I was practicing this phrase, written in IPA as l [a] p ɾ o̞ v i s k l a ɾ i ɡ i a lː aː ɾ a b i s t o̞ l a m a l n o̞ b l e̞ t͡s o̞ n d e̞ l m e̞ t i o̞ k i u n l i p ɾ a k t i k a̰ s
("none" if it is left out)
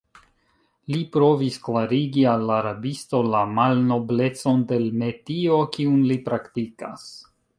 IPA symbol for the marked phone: i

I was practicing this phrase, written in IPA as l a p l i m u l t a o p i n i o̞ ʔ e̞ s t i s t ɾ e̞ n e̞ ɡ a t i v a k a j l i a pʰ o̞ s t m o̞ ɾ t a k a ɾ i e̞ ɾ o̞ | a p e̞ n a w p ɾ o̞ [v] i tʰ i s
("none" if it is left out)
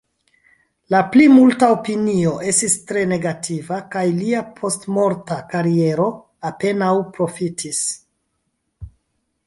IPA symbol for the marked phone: f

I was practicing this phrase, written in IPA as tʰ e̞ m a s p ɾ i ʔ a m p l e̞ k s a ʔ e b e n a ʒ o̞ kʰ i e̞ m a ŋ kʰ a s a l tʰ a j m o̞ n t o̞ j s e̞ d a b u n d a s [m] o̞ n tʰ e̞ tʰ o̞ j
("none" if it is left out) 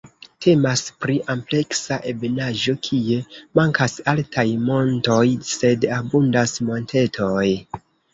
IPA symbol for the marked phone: m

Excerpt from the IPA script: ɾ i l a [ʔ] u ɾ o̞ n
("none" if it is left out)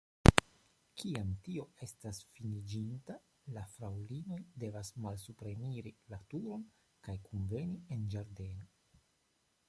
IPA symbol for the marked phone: t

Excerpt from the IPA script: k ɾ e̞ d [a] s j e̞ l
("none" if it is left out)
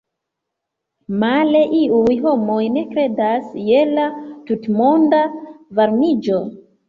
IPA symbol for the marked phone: a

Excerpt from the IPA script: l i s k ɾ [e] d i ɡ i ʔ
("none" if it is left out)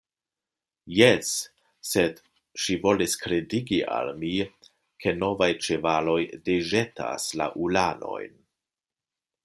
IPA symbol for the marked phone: e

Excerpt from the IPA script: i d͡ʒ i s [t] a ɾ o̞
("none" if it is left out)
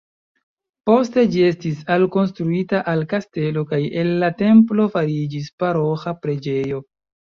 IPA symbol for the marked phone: p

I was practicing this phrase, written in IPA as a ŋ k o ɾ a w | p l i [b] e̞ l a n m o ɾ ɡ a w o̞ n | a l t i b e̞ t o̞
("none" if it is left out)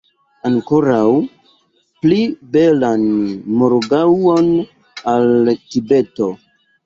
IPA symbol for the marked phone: b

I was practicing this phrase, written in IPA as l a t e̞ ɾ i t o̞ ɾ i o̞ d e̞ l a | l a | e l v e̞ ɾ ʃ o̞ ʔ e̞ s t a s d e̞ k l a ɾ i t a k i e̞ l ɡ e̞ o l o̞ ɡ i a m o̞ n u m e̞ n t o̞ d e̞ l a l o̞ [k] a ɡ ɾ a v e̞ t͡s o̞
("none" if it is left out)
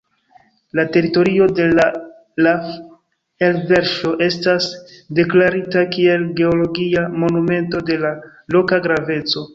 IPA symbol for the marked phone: k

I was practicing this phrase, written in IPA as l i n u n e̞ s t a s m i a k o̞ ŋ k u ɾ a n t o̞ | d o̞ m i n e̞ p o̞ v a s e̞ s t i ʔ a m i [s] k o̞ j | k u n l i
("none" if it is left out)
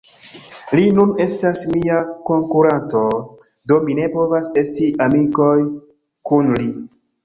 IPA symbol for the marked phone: none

